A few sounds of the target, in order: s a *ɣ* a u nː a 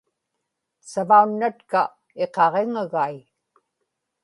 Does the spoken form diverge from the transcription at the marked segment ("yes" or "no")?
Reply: yes